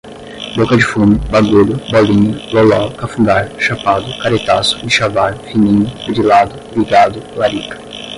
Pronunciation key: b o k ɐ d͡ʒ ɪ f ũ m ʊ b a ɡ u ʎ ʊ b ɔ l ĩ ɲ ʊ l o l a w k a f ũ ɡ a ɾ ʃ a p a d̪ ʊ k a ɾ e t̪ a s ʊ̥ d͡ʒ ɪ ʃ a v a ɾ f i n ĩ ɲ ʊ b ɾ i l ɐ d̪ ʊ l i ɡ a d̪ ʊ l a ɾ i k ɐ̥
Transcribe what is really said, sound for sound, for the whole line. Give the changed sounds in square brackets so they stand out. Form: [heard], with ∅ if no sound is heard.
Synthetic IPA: b o k ɐ d͡ʒ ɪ f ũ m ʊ b a ɡ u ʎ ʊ b ɔ l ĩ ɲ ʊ l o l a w k a f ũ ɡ a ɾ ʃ a p a d̪ ʊ k a ɾ e t̪ a s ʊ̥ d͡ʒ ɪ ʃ a v a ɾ f i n ĩ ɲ ʊ b ɾ i l [a] d̪ ʊ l i ɡ a d̪ ʊ l a ɾ i k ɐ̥